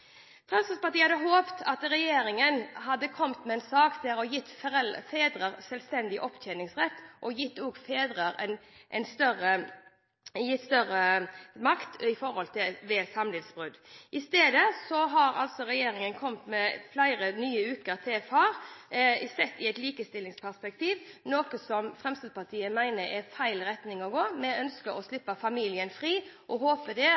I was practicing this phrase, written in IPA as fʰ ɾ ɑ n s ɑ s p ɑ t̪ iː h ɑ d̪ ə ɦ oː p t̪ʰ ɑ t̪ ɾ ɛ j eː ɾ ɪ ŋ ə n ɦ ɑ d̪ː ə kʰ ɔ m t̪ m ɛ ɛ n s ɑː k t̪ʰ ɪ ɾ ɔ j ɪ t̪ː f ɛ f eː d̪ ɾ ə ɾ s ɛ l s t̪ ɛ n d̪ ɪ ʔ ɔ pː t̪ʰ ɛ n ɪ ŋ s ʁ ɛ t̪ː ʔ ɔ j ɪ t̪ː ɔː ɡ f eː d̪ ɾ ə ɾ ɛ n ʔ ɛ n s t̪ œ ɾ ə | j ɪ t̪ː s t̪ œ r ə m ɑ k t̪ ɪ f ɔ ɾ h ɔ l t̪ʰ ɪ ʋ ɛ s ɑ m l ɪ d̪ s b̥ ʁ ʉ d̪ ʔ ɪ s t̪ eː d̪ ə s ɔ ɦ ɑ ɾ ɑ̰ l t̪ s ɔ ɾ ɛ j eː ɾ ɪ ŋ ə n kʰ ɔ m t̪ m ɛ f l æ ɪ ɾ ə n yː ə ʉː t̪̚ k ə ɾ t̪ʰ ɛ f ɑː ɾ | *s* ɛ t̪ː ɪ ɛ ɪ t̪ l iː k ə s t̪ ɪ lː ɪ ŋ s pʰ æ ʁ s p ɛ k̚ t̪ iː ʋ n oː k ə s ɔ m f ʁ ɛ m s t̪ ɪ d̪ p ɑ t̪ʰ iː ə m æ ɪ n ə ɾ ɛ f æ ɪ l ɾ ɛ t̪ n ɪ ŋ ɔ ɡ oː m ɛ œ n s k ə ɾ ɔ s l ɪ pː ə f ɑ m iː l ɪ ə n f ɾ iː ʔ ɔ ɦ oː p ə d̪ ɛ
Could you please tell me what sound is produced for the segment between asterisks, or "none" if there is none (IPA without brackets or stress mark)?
s